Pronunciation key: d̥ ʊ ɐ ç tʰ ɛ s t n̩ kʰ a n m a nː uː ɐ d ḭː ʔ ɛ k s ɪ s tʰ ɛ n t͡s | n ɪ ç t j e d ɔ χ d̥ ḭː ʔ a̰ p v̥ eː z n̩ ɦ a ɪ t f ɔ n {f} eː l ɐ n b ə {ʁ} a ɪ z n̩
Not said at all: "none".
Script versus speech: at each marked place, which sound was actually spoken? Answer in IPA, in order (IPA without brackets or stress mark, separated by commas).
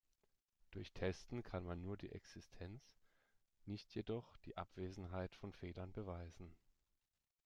f, v